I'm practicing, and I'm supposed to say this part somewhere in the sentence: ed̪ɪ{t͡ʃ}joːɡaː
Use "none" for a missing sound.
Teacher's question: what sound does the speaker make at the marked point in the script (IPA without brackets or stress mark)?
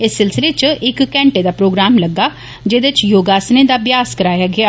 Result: t͡ʃ